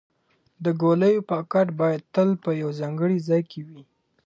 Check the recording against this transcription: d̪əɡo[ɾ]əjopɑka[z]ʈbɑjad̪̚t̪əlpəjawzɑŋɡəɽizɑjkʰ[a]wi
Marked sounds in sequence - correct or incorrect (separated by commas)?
incorrect, incorrect, incorrect